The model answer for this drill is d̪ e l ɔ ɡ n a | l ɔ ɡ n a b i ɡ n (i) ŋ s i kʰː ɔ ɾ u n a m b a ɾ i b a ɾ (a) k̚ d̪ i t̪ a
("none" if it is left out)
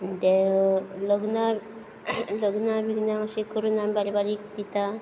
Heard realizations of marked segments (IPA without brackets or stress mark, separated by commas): a, i